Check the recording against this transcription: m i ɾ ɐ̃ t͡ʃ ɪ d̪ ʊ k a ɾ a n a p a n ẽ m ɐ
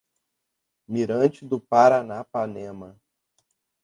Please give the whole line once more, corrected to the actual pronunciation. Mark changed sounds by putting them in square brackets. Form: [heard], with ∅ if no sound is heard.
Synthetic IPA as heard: m i ɾ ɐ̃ t͡ʃ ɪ d̪ ʊ [p] a ɾ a n a p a n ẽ m ɐ